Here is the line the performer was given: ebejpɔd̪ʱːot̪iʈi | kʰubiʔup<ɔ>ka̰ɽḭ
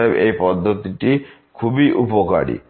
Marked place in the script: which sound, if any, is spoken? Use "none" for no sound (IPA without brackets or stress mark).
o